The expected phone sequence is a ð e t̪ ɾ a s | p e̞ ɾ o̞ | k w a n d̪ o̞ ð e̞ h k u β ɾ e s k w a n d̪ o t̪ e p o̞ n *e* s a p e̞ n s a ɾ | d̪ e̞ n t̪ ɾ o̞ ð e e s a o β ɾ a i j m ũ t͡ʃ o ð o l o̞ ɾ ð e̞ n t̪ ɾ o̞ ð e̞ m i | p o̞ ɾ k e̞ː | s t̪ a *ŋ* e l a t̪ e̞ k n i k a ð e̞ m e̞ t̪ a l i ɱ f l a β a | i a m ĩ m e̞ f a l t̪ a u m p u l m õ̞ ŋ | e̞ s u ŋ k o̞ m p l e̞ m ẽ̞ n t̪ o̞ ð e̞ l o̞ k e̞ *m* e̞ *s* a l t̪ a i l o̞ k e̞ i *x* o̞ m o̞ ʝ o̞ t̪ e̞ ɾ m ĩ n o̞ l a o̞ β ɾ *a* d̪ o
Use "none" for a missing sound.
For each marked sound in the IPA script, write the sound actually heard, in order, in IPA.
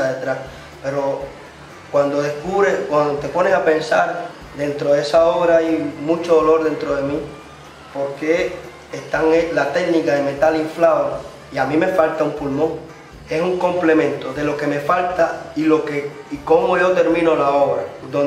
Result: e, ŋ, m, f, k, a

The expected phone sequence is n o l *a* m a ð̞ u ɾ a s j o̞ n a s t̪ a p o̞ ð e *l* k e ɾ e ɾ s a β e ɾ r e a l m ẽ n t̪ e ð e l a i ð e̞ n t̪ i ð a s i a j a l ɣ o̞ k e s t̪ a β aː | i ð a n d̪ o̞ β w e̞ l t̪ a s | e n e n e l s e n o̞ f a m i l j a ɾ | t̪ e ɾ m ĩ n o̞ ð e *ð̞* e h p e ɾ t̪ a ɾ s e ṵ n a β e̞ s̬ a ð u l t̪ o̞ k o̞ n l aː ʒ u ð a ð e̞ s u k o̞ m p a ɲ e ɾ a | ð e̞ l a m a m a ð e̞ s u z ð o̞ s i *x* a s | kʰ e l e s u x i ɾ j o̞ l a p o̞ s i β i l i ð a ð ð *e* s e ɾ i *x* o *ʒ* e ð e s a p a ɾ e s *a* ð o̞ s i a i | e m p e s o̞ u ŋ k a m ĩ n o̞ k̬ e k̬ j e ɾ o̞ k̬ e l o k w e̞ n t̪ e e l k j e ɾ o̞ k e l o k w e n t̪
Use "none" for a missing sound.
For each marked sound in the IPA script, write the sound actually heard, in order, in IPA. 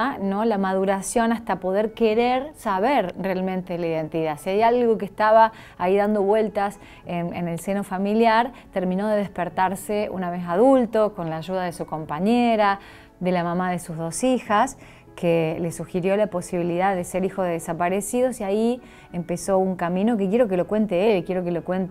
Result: a, ɾ, ð̞, x, e, x, ð, i

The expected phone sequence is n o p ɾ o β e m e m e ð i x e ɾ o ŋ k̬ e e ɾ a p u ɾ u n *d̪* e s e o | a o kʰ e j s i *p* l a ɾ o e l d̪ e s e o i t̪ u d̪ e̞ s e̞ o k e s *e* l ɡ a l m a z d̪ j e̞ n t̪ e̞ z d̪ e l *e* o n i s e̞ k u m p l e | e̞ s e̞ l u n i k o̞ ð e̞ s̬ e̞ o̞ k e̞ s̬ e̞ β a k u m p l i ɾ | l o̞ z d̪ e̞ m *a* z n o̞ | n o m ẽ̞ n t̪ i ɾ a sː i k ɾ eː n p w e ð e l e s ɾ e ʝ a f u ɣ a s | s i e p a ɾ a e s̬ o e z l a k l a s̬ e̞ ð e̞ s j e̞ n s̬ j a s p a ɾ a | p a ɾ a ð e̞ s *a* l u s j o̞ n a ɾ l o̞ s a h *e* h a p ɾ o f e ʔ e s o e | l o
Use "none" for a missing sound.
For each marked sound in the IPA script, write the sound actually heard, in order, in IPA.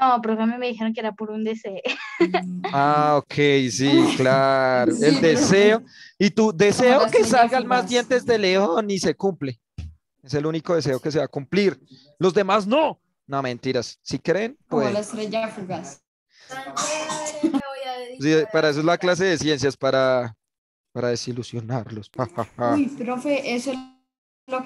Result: d̪, k, a, e, a, i, a

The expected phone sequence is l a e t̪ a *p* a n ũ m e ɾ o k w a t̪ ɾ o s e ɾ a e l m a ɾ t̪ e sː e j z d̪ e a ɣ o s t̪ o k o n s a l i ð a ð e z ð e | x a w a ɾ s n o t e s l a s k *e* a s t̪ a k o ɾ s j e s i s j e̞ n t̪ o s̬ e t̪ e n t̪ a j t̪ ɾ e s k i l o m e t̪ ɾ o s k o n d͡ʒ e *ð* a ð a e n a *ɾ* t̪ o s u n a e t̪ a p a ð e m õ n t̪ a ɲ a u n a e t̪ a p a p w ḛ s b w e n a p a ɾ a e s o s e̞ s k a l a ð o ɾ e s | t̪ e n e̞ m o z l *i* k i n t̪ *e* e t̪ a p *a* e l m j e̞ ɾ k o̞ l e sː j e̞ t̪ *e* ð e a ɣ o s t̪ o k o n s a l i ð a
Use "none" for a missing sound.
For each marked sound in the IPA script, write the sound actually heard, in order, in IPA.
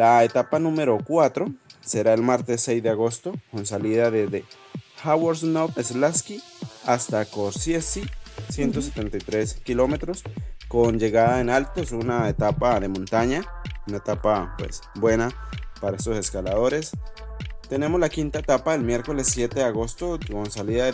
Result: p, i, ɣ, l, a, a, a, e

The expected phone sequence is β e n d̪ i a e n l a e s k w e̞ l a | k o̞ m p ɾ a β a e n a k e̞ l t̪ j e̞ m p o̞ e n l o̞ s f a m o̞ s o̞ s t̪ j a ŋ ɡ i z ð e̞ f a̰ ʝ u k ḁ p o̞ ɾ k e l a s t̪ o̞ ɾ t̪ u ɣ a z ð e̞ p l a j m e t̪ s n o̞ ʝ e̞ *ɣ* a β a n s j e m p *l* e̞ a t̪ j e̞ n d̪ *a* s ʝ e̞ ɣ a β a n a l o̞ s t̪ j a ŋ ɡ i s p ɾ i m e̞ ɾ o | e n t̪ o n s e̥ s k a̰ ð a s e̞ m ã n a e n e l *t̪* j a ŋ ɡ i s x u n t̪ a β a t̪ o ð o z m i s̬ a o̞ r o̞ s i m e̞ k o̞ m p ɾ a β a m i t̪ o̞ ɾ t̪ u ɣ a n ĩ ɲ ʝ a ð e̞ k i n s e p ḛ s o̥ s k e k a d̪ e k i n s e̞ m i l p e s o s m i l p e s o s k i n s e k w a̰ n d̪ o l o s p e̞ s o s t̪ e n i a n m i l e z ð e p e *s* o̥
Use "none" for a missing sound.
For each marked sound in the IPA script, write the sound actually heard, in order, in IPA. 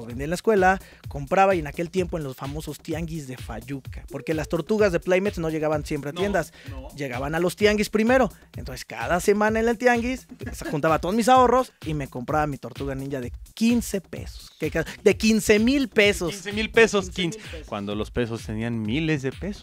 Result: ɣ, ɾ, a, t̪, s

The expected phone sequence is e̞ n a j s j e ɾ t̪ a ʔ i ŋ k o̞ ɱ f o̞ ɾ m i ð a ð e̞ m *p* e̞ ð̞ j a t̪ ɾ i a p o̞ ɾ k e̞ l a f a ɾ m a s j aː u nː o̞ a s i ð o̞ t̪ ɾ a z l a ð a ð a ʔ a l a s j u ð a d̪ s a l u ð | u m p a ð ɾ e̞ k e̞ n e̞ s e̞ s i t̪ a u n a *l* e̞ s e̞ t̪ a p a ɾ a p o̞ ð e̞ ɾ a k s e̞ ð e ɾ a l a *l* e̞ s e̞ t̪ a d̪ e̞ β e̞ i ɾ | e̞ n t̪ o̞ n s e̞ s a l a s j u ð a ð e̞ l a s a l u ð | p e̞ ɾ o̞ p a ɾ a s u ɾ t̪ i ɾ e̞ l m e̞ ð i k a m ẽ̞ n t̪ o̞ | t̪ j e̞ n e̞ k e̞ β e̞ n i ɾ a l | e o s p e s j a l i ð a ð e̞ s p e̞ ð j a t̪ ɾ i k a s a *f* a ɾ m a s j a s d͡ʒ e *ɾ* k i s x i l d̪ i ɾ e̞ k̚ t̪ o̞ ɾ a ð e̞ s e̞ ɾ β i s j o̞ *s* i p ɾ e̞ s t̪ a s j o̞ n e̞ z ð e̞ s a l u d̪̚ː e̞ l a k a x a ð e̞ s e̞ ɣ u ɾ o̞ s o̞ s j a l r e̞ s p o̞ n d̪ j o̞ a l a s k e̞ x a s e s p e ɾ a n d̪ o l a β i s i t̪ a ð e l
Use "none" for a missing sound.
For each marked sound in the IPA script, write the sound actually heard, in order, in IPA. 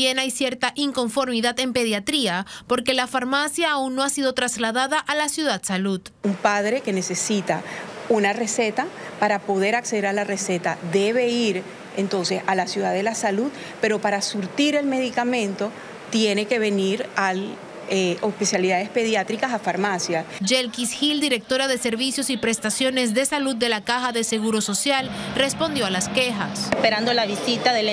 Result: p, r, r, f, l, s

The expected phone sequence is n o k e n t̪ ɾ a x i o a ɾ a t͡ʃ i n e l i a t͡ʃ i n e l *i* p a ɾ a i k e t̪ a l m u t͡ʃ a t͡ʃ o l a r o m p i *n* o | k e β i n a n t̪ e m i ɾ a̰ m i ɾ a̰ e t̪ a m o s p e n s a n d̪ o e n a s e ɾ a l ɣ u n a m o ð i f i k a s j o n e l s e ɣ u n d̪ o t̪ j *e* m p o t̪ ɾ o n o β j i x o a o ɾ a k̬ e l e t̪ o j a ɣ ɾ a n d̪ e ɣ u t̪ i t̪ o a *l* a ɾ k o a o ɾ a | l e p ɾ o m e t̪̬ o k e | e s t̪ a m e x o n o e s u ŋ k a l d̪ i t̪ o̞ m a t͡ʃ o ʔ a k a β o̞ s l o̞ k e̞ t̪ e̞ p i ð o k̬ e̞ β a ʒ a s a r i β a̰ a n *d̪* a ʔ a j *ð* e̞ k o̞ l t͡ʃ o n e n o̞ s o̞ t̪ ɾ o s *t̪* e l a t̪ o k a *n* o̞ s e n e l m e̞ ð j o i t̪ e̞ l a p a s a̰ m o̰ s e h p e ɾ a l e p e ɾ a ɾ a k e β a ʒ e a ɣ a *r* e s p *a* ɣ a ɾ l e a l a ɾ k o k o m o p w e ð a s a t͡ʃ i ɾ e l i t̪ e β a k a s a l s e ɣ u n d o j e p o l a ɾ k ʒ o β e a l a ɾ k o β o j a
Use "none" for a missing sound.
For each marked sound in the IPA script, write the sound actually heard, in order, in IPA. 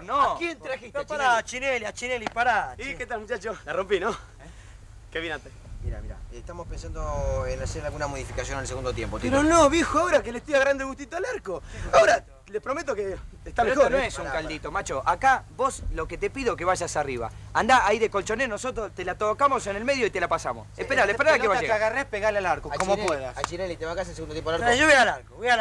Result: i, n, e, l, d̪, ð, t̪, m, r, e

